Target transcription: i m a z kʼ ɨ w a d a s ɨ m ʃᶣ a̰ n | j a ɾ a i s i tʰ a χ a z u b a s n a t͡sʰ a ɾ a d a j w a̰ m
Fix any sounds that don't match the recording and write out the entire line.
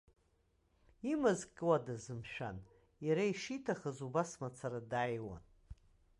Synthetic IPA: i m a z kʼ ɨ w a d a z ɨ m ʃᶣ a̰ n | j a ɾ a i ʂ i tʰ a χ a z u b a s m a t͡sʰ a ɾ a d a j w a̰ n